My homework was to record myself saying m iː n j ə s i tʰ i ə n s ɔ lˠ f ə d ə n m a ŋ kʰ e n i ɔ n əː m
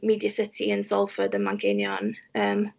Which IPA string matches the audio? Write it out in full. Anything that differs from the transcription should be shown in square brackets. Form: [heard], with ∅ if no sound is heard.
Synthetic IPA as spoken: m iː [d] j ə s [ɪ] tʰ i ə n s ɔ lˠ f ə d ə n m a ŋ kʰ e n [j] ɔ n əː m